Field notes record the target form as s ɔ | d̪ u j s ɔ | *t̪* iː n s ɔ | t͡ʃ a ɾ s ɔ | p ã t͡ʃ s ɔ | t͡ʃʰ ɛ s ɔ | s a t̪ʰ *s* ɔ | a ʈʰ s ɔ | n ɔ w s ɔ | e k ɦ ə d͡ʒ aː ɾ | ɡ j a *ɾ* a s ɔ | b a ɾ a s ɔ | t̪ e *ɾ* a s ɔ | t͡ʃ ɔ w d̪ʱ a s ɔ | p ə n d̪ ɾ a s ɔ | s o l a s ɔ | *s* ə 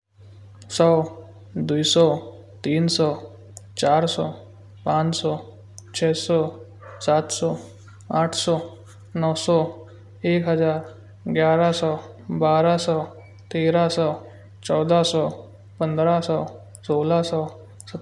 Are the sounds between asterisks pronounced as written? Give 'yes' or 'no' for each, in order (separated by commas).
yes, yes, yes, yes, yes